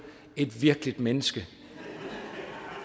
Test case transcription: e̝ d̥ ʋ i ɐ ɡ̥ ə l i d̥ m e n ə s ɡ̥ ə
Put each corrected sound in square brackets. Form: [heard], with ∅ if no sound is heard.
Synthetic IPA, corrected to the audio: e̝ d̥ ʋ i ɐ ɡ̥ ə l i d̥ m e n ə s ɡ̥ ə